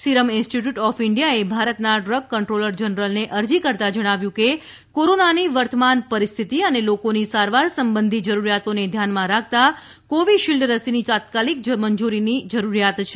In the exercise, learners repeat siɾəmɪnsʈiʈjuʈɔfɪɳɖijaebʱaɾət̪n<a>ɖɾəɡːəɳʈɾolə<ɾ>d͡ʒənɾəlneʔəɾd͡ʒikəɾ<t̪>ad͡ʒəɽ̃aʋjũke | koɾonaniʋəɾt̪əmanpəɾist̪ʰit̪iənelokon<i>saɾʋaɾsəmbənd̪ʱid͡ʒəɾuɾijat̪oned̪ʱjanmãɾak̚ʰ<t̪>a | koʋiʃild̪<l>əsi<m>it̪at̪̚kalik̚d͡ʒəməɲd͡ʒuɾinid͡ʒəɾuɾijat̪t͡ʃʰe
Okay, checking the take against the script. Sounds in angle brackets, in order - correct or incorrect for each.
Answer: correct, correct, correct, correct, correct, incorrect: ɾ, incorrect: n

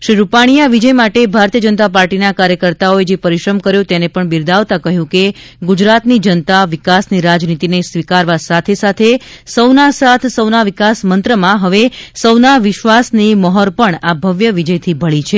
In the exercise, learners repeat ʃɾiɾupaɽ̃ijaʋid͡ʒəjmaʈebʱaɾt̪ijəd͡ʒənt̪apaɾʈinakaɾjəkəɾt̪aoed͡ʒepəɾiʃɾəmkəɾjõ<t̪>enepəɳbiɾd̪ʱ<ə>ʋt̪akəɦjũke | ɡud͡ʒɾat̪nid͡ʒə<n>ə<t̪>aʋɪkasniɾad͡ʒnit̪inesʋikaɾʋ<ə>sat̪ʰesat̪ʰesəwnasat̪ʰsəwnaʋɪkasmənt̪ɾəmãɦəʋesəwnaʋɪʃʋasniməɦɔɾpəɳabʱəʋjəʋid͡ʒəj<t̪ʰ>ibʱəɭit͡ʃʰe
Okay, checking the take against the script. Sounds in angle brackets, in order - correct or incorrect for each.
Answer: correct, incorrect: a, correct, correct, incorrect: a, correct

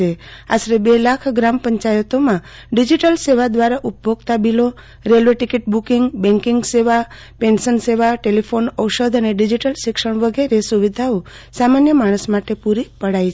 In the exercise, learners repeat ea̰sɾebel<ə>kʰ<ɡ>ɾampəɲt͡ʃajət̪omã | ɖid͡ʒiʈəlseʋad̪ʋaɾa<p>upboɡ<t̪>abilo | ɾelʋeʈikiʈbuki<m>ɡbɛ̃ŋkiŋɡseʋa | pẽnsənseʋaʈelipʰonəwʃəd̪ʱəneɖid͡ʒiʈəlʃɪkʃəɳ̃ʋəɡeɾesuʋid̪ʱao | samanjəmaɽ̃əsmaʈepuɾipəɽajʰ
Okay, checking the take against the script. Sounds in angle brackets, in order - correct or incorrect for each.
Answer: incorrect: a, correct, incorrect: ʔ, correct, incorrect: ŋ

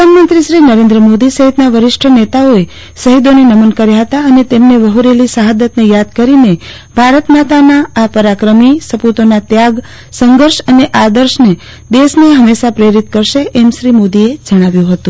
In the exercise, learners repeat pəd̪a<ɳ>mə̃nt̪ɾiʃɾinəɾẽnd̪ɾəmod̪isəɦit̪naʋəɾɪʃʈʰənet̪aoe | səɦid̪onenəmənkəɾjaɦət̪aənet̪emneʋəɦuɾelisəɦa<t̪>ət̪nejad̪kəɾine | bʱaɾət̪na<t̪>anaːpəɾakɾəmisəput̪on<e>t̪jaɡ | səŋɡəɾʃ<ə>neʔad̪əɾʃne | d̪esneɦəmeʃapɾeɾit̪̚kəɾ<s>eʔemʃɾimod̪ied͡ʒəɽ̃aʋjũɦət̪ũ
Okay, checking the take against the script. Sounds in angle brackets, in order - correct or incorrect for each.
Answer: incorrect: n, incorrect: d̪, correct, incorrect: a, correct, incorrect: ʃ

